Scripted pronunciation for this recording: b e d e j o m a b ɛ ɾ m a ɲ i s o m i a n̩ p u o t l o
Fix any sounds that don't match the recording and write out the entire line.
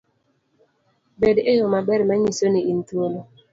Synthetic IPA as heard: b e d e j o m a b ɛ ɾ m a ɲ i s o n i i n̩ t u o l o